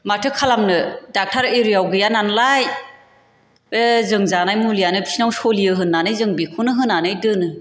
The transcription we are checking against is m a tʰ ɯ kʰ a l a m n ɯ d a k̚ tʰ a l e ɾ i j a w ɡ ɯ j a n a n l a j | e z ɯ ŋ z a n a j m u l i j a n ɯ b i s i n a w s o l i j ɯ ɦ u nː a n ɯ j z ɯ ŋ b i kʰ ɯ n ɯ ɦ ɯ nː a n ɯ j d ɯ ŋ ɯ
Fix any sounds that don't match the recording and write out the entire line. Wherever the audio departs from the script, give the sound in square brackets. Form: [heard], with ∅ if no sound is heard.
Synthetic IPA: m a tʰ ɯ kʰ a l a m n ɯ d a k̚ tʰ a [ɾ] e ɾ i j a w ɡ ɯ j a n a n l a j | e z ɯ ŋ z a n a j m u l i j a n ɯ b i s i n a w s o l i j ɯ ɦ [ɯ] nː a n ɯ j z ɯ ŋ b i kʰ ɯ n ɯ ɦ ɯ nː a n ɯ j d ɯ [n] ɯ

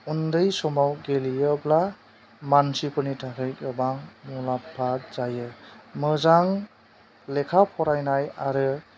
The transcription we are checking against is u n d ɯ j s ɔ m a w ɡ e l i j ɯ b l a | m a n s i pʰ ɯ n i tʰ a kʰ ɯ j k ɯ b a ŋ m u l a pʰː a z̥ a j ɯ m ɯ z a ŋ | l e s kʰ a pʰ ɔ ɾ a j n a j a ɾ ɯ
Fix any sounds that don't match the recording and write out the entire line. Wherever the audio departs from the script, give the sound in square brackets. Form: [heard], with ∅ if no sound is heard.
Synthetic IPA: u n d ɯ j s ɔ m a w ɡ e l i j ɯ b l a | m a n s i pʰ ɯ n i tʰ a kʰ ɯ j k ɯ b a ŋ m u l a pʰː a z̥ a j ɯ m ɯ z a ŋ | l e [∅] kʰ a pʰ ɔ ɾ a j n a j a ɾ ɯ

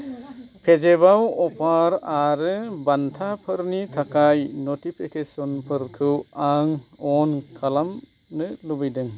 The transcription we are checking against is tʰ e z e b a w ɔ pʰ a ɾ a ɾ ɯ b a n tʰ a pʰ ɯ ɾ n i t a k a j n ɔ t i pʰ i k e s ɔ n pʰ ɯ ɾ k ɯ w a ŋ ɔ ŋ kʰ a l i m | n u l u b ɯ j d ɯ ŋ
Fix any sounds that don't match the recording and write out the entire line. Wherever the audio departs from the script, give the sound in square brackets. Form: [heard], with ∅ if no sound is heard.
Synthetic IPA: [pʰ] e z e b a w ɔ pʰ a ɾ a ɾ ɯ b a n tʰ a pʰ ɯ ɾ n i [tʰ] a k a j n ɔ t i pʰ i k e s ɔ n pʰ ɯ ɾ [kʰ] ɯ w a ŋ ɔ [n] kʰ a l [a] m | n [ɯ] l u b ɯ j d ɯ ŋ

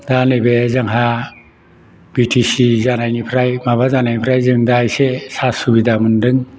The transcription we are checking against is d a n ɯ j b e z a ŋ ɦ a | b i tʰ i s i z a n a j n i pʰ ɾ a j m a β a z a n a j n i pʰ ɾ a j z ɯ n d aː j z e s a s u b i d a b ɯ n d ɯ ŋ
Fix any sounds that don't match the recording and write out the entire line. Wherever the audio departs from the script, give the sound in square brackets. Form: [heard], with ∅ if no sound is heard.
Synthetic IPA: d a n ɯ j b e z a ŋ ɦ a | b i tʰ i s i z a n a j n i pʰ ɾ a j m a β a z a n a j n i pʰ ɾ a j z ɯ [ŋ] d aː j [s] e s a s u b i d a [m] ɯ n d ɯ ŋ

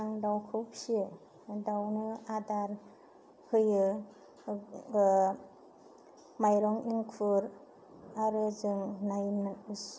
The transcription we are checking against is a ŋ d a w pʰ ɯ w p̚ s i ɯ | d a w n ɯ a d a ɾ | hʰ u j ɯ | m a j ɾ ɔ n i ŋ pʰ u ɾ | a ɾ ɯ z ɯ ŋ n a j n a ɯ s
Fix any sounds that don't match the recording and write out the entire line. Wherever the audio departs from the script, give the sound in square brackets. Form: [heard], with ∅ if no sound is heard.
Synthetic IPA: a ŋ d a w [kʰ] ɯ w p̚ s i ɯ | d a w n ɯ a d a ɾ | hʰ [ɯ] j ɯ | m a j ɾ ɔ [ŋ] i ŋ [kʰ] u ɾ | a ɾ ɯ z ɯ ŋ n a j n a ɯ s

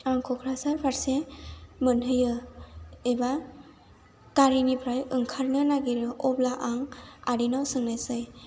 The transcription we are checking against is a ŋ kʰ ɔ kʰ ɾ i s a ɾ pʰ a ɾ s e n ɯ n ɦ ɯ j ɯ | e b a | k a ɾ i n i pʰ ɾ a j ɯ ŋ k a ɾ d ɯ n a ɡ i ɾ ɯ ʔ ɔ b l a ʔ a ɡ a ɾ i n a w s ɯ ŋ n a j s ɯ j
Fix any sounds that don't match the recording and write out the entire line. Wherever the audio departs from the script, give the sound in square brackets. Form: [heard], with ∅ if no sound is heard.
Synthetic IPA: a ŋ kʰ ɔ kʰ ɾ [a] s a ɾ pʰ a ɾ s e [m] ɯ n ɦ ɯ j ɯ | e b a | k a ɾ i n i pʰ ɾ a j ɯ ŋ [kʰ] a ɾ [n] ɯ n a ɡ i ɾ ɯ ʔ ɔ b l a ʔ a [ŋ] a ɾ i n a w s ɯ ŋ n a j s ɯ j

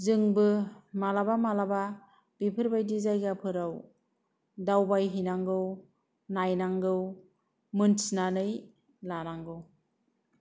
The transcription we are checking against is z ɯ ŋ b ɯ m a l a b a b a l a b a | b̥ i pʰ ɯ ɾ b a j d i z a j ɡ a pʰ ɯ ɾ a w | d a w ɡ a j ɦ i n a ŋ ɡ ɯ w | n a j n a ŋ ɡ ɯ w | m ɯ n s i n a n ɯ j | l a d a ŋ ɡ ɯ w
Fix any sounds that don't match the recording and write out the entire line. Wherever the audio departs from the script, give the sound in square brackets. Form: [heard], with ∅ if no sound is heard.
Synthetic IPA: z ɯ ŋ b ɯ m a l a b a [m] a l a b a | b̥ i pʰ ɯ ɾ b a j d i z a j ɡ a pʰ ɯ ɾ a w | d a w [b] a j ɦ i n a ŋ ɡ ɯ w | n a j n a ŋ ɡ ɯ w | m ɯ n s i n a n ɯ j | l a [n] a ŋ ɡ ɯ w

